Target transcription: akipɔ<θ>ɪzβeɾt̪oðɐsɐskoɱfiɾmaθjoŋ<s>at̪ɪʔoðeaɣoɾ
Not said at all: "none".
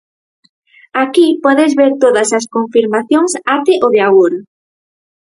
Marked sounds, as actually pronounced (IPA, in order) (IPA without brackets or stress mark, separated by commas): ð, s